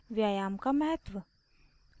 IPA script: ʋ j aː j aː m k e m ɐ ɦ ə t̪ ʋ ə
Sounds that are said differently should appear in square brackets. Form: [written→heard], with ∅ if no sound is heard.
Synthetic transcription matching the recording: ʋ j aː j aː m k [e→a] m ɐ ɦ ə t̪ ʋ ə